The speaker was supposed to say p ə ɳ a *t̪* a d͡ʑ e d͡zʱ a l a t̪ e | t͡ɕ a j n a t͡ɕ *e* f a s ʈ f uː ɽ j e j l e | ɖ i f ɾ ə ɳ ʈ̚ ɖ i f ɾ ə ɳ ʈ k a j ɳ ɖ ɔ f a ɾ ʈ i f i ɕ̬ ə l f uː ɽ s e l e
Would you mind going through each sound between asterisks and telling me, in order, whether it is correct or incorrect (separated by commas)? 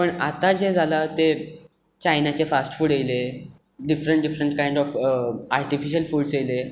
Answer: correct, correct